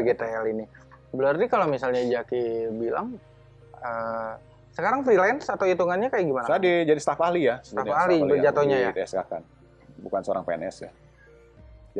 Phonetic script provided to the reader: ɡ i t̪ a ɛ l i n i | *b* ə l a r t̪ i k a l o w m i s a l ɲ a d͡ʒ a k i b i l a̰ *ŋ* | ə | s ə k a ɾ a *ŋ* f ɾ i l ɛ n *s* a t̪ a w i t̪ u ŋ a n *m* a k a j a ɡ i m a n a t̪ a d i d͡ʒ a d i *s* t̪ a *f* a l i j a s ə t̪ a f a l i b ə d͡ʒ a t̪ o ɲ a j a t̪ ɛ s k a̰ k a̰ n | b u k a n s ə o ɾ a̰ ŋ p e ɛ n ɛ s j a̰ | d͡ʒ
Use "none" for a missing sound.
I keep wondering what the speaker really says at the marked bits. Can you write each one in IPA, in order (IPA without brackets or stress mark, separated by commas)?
b, ŋ, ŋ, s, ɲ, s, f